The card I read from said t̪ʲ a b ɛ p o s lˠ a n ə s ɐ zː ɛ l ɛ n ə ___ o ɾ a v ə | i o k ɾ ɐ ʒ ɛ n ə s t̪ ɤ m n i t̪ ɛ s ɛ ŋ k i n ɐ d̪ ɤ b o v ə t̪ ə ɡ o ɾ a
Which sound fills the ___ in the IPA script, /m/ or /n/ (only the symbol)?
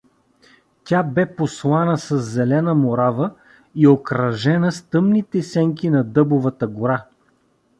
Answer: m